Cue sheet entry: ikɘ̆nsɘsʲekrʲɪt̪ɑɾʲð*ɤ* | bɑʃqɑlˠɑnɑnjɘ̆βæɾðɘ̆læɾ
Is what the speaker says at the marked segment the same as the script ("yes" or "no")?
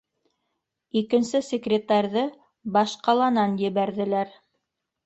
yes